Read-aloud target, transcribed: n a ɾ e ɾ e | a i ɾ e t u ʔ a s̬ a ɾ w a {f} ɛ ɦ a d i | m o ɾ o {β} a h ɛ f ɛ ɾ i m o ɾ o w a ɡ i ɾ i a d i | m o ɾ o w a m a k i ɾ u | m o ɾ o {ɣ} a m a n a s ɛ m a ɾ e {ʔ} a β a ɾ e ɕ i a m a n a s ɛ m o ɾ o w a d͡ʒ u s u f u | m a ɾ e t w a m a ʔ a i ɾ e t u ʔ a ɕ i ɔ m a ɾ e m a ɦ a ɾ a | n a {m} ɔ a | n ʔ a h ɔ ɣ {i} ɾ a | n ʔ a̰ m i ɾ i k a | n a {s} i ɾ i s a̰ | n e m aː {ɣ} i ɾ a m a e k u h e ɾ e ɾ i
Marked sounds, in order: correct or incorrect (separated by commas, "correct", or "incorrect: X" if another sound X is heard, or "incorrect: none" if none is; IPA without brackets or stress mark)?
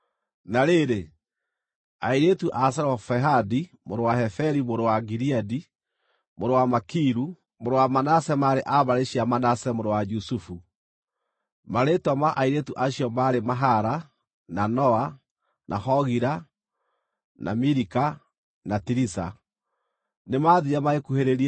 correct, incorrect: w, incorrect: w, correct, incorrect: n, correct, incorrect: t, incorrect: ð